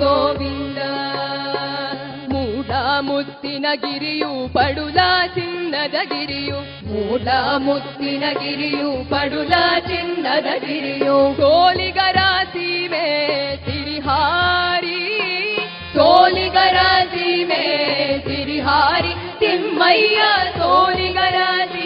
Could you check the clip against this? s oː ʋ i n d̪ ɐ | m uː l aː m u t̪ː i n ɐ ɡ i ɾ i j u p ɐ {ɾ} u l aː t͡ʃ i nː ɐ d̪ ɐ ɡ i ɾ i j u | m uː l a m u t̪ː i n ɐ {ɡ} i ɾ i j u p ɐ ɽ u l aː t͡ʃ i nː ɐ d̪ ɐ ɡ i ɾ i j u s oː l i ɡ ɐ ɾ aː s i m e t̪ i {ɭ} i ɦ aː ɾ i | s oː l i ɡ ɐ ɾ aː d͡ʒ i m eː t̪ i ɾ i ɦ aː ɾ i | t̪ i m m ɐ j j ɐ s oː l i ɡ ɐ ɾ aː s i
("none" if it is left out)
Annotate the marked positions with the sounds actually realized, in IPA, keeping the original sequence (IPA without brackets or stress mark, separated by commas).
ɽ, ɡ, ɾ